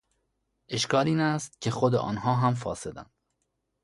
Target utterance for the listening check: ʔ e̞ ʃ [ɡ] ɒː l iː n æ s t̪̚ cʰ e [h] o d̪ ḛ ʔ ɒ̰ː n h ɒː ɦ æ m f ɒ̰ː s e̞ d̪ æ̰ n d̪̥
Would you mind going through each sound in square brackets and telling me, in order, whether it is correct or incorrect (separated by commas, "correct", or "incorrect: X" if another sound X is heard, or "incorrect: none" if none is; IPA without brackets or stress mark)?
incorrect: k, incorrect: x